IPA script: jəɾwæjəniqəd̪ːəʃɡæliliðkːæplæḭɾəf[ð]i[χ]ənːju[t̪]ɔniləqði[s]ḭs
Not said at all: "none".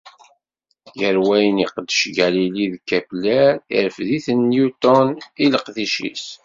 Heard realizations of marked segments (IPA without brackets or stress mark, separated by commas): ð, θ, t̪, ʃ